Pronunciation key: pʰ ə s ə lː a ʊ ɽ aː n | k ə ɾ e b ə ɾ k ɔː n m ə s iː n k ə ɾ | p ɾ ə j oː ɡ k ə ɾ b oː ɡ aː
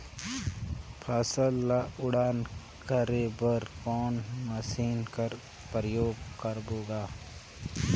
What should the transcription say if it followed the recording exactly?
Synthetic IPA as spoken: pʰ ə s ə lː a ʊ ɽ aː n | k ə ɾ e b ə ɾ k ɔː n m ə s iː n k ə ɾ | p ɾ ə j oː ɡ k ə ɾ b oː ɡ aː